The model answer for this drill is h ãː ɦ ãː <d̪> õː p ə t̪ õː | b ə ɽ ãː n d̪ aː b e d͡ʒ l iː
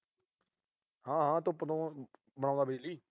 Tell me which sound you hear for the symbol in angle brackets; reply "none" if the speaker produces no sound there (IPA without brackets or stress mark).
t̪